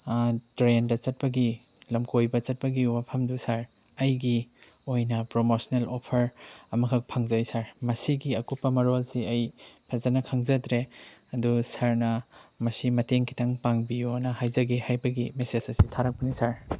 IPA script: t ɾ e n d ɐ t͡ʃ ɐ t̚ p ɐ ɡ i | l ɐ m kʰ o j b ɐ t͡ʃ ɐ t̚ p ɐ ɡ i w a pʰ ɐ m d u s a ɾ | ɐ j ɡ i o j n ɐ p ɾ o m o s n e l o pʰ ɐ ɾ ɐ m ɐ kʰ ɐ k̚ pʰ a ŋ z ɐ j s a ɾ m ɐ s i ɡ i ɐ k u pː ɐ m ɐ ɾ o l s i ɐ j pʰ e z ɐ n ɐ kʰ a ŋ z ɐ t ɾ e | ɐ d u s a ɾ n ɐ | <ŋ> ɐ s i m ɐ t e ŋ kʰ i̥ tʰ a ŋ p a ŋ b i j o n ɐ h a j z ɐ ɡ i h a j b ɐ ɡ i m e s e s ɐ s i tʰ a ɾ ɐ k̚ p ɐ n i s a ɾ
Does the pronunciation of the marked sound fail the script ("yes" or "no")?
yes